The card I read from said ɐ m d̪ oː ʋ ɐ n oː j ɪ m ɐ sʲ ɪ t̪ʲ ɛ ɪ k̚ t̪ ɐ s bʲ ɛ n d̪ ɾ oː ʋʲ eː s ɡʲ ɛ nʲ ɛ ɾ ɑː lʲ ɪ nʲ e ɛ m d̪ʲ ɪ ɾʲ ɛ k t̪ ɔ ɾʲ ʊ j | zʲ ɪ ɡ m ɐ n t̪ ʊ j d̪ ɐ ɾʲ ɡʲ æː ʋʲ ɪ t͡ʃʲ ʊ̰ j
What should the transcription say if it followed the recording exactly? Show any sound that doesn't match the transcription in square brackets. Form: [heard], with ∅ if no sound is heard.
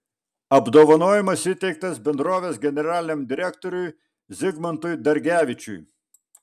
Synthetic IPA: ɐ [b] d̪ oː ʋ ɐ n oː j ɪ m ɐ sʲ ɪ t̪ʲ ɛ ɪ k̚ t̪ ɐ s bʲ ɛ n d̪ ɾ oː ʋʲ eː s ɡʲ ɛ nʲ ɛ ɾ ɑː lʲ ɪ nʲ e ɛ m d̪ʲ ɪ ɾʲ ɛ k t̪ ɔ ɾʲ ʊ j | zʲ ɪ ɡ m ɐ n t̪ ʊ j d̪ ɐ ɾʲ ɡʲ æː ʋʲ ɪ t͡ʃʲ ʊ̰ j